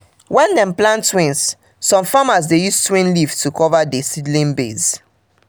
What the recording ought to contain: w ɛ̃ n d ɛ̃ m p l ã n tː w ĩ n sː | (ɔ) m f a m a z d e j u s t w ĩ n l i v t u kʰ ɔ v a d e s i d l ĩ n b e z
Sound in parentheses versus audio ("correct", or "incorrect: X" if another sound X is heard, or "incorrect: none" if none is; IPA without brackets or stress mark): incorrect: ɔ̃